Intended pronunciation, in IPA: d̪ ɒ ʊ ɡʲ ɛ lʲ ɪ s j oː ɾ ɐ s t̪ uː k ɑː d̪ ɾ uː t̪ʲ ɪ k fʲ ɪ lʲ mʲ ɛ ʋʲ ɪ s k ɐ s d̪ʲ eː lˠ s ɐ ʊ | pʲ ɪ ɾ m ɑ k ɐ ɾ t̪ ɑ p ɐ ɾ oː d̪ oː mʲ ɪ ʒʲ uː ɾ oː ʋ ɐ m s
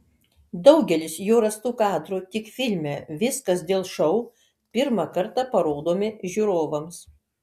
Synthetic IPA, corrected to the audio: d̪ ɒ ʊ ɡʲ ɛ lʲ ɪ s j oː ɾ ɐ s t̪ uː k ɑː d̪ ɾ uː t̪ʲ ɪ k fʲ ɪ lʲ mʲ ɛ ʋʲ ɪ s k ɐ s d̪ʲ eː lˠ ʃ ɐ ʊ | pʲ ɪ ɾ m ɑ k ɐ ɾ t̪ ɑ p ɐ ɾ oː d̪ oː mʲ ɪ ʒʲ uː ɾ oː ʋ ɐ m s